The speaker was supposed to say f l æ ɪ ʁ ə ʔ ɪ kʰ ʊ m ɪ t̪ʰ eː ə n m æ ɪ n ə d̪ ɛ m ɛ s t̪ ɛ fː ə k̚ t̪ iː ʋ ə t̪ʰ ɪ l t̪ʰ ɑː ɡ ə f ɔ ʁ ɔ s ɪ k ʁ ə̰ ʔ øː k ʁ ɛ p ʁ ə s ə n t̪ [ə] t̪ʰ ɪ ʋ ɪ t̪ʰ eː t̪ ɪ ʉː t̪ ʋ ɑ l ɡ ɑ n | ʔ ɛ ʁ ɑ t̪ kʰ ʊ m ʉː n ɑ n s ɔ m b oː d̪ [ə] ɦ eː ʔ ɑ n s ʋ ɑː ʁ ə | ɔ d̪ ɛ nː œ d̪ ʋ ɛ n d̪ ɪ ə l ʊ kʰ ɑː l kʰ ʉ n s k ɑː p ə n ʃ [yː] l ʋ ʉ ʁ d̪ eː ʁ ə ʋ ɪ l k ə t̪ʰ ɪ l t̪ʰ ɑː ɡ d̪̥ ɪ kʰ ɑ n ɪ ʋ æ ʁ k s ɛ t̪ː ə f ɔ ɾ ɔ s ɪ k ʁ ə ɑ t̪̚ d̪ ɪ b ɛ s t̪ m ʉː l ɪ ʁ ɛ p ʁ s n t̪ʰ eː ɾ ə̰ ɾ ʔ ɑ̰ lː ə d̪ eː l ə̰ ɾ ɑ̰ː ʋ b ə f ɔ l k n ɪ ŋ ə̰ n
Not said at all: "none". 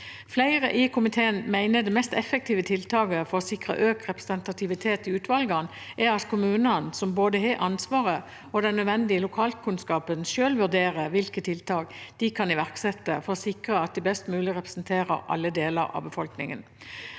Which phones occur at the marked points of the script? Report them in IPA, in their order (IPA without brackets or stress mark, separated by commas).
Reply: ɑ, ə, øː